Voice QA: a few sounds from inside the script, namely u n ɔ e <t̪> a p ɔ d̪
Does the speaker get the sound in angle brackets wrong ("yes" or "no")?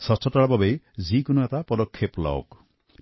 no